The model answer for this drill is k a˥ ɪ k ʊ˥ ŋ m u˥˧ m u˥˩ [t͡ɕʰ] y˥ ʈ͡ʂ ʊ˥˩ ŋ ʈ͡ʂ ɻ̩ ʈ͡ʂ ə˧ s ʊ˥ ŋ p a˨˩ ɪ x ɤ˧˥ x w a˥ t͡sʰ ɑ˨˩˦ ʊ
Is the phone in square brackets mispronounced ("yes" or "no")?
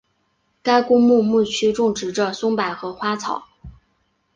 no